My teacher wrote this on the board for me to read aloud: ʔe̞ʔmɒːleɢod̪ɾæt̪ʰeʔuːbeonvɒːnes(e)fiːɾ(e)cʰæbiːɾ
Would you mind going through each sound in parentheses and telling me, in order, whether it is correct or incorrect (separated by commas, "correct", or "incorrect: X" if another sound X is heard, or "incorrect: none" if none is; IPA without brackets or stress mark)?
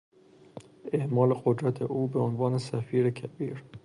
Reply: incorrect: æ, correct